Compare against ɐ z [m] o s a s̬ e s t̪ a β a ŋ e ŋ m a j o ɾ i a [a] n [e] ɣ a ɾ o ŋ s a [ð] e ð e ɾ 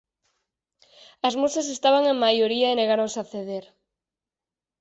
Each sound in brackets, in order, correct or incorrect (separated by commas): correct, incorrect, correct, incorrect